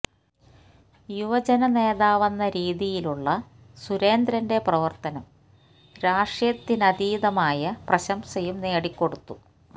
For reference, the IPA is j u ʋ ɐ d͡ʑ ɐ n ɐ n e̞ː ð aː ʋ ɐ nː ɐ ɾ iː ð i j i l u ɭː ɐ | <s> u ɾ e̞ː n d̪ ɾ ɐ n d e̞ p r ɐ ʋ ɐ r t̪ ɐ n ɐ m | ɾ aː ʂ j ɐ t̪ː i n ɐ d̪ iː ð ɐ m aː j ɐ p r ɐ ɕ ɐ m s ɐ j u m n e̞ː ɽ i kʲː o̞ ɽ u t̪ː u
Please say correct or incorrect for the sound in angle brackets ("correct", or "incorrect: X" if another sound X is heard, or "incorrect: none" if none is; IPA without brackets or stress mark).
correct